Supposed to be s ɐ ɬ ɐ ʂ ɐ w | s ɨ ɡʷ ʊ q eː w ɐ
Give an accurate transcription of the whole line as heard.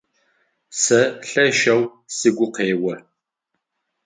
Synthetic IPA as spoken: s ɐ ɬ ɐ ʃ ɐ w | s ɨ ɡʷ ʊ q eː w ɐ